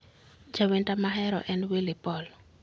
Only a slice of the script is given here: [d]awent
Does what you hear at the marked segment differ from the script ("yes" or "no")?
yes